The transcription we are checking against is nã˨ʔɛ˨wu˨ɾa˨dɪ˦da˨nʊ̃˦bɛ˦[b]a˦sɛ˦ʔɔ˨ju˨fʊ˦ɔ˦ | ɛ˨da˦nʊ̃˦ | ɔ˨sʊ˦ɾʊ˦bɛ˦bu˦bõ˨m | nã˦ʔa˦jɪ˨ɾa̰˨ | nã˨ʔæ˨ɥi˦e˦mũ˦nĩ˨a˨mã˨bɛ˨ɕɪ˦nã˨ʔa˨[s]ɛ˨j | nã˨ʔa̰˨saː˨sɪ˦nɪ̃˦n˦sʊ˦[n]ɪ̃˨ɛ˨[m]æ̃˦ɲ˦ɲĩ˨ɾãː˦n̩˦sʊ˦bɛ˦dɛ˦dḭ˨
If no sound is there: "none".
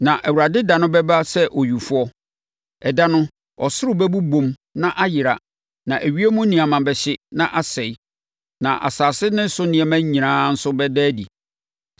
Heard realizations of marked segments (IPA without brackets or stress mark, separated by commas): b, s, n, m